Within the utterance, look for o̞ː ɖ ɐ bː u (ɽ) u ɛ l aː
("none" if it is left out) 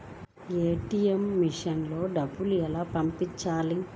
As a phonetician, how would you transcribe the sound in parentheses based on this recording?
l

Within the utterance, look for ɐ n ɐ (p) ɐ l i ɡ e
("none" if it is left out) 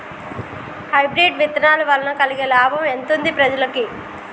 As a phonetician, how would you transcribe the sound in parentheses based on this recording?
k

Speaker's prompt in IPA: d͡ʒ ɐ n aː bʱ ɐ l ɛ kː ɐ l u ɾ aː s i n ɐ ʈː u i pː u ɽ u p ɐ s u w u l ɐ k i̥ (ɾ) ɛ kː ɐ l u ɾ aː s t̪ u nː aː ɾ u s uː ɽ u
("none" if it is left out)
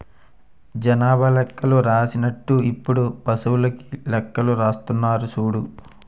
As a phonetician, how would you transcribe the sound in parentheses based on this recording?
l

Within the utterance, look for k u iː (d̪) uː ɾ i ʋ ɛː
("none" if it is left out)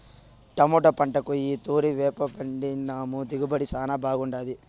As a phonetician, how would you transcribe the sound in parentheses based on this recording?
t̪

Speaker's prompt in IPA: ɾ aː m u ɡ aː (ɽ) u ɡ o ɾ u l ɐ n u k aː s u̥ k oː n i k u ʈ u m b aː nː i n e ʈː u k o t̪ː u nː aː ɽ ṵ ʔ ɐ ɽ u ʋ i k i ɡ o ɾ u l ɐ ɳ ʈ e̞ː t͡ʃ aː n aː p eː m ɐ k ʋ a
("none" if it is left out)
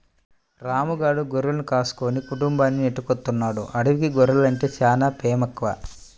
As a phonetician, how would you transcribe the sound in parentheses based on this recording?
ɽ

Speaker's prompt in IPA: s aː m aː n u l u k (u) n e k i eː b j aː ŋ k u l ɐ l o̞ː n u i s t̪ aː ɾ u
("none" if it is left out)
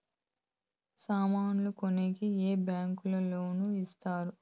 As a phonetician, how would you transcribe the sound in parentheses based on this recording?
o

